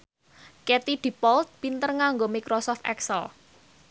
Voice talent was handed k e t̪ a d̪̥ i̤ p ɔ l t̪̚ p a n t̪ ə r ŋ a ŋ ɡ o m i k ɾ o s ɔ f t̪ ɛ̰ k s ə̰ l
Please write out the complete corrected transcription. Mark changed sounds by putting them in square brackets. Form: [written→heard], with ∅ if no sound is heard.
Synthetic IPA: k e t̪ [a→i] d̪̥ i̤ p ɔ l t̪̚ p [a→i] n t̪ ə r ŋ a ŋ ɡ o m i k ɾ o s ɔ f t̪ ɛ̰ k s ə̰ l